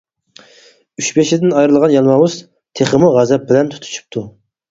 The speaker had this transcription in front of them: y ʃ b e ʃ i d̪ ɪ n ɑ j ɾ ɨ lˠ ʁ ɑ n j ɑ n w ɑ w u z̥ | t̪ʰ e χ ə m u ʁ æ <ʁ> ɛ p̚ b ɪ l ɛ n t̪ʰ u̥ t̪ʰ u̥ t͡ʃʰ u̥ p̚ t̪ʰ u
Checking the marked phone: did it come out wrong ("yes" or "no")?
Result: yes